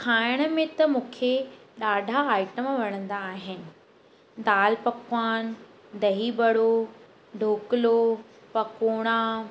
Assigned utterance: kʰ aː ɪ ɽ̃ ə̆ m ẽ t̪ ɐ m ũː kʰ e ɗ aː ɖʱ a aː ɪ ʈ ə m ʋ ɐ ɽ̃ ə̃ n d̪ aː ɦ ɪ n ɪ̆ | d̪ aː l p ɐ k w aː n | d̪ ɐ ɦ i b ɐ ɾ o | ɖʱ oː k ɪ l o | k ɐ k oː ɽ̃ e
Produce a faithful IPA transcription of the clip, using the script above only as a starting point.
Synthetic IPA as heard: kʰ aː ɪ ɽ̃ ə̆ m ẽ t̪ ɐ m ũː kʰ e ɗ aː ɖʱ a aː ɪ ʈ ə m ʋ ɐ ɽ̃ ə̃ n d̪ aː ɦ ɪ n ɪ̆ | d̪ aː l p ɐ k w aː n | d̪ ɐ ɦ i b ɐ ɽ o | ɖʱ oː k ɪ l o | p ɐ k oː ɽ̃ a